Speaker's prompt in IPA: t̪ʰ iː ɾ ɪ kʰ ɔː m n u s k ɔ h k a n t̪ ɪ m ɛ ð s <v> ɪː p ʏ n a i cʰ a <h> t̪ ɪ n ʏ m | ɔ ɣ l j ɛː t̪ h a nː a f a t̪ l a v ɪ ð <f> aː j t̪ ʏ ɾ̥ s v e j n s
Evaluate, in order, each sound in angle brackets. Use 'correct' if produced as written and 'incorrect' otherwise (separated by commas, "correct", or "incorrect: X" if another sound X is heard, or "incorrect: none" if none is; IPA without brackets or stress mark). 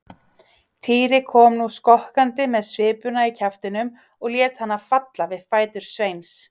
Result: correct, incorrect: f, correct